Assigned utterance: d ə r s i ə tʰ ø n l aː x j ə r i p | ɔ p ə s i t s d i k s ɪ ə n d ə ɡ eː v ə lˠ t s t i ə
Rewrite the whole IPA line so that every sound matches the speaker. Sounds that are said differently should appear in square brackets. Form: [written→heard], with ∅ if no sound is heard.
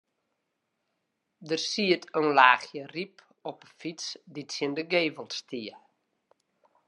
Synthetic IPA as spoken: d ə r s i ə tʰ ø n l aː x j ə r i p | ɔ p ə [s→f] i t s d i [k→t] s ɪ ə n d ə ɡ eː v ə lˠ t s t i ə